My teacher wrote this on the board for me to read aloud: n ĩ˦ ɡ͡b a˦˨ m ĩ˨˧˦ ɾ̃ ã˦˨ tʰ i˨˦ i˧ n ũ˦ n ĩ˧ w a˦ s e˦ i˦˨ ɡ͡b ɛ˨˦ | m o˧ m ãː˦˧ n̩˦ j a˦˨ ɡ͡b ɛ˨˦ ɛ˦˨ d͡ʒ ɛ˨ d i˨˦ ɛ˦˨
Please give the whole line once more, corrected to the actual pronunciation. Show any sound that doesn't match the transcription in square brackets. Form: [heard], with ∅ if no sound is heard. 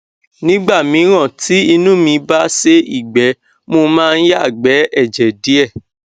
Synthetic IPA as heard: n ĩ˦ ɡ͡b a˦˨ m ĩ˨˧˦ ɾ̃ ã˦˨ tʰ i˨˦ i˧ n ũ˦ [m] ĩ˧ [b] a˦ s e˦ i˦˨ ɡ͡b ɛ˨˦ | m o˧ m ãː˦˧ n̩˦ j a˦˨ ɡ͡b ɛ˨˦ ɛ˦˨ d͡ʒ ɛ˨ d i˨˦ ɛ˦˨